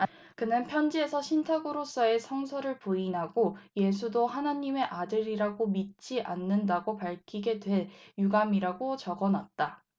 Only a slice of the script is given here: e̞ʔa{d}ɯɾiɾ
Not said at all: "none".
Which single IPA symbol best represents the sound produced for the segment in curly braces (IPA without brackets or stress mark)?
d